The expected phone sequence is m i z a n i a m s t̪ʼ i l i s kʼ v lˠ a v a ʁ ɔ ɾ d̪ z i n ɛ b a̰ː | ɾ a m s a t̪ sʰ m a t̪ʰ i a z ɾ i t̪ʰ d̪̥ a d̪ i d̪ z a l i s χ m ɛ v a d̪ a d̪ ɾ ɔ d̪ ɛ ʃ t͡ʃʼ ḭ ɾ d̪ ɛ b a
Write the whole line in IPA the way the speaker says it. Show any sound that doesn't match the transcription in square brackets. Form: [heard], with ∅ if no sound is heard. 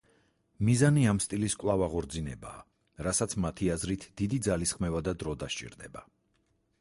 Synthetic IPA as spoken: m i z a n i a m s t̪ʼ i l i s kʼ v lˠ a v a ʁ ɔ ɾ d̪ z i n ɛ b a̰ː | ɾ a [∅] s a t̪ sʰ m a t̪ʰ i a z ɾ i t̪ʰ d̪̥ [i] d̪ i d̪ z a l i s χ m ɛ v a d̪ a d̪ ɾ ɔ d̪ [a] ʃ t͡ʃʼ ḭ ɾ d̪ ɛ b a